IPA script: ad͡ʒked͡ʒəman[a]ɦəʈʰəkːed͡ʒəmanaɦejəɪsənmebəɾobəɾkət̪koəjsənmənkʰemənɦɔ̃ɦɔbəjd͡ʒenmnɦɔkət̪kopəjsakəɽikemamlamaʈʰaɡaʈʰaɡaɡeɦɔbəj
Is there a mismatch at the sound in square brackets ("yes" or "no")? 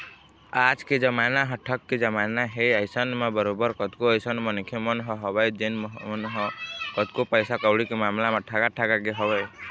no